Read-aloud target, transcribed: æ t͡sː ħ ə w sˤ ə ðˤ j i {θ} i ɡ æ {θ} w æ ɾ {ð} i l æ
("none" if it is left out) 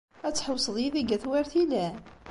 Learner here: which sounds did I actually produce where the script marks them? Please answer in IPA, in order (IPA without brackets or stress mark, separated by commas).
ð, θ, θ